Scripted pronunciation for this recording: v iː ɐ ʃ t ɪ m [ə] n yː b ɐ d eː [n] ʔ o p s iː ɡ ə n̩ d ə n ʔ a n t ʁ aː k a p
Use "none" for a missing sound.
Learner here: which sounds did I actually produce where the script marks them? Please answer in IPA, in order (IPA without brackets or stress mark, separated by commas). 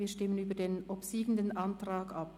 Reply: ə, n